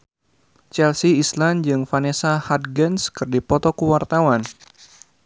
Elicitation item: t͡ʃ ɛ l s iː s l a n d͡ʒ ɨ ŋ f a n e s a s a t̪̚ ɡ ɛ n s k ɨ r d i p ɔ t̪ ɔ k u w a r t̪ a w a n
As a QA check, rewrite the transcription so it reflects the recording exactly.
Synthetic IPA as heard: t͡ʃ ɛ l s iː s l a n d͡ʒ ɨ ŋ f a n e s a h a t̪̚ ɡ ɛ n s k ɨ r d i p ɔ t̪ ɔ k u w a r t̪ a w a n

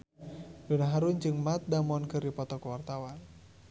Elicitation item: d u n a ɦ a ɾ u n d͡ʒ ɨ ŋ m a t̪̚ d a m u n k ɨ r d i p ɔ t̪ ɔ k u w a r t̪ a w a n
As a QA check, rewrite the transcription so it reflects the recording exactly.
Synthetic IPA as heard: d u n a ɦ a ɾ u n d͡ʒ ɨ ŋ m a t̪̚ d a m ɔ n k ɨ r d i p ɔ t̪ ɔ k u w a r t̪ a w a n

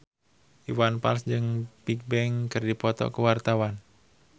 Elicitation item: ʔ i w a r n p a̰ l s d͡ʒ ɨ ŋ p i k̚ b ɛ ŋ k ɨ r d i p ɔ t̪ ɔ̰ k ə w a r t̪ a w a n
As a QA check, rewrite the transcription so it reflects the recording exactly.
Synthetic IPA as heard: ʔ i w a n p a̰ l s d͡ʒ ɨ ŋ p i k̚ b ɛ ŋ k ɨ r d i p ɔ t̪ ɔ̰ k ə w a r t̪ a w a n

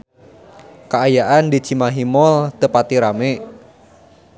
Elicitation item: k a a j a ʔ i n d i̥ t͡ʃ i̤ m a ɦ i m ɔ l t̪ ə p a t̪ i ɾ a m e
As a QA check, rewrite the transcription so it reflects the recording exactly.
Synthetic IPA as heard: k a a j a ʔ a n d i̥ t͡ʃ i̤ m a ɦ i m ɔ l t̪ ə p a t̪ i ɾ a m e

